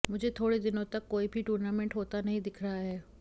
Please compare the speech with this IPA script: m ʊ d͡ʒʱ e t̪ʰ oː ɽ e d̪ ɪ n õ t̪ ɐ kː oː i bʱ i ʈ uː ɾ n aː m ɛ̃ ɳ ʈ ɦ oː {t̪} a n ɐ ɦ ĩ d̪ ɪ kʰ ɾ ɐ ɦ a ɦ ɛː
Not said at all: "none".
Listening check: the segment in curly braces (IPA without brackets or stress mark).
t̪